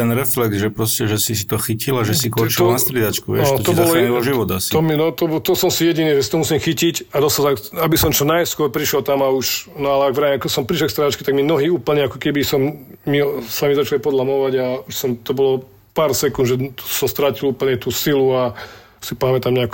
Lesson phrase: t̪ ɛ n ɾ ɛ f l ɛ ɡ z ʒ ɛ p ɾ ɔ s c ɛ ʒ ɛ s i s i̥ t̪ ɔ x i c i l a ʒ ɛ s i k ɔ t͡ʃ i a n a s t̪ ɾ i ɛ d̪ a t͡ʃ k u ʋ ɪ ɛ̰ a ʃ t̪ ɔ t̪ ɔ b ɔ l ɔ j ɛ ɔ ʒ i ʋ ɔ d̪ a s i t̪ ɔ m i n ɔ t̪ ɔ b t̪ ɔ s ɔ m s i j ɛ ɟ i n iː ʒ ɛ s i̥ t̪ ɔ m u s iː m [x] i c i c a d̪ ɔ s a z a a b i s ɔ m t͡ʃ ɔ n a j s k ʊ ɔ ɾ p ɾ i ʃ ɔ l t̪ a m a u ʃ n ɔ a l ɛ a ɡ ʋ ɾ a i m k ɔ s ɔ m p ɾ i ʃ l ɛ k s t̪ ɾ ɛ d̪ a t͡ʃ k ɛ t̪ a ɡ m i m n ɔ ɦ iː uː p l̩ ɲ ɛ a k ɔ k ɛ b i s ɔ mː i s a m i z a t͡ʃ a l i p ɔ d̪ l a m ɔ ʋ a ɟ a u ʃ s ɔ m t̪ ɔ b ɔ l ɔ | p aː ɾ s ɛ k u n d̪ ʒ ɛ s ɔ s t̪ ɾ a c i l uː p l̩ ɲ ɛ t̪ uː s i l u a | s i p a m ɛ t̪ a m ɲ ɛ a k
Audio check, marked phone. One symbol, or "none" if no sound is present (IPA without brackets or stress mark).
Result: x